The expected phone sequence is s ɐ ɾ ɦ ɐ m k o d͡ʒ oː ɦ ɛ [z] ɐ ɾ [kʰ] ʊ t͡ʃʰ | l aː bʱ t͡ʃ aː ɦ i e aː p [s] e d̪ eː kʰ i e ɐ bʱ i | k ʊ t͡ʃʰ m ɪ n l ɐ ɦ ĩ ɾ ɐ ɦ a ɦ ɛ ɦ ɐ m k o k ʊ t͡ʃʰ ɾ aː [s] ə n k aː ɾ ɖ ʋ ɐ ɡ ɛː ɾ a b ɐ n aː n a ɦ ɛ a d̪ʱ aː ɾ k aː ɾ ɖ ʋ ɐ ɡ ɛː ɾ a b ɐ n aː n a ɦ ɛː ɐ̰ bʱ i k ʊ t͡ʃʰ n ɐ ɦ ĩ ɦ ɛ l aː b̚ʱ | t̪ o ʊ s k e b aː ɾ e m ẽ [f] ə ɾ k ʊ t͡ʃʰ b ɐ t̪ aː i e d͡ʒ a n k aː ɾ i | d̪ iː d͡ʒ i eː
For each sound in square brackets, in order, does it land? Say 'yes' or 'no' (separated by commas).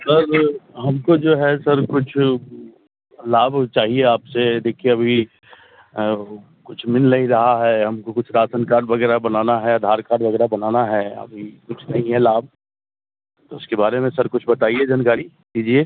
no, no, yes, yes, no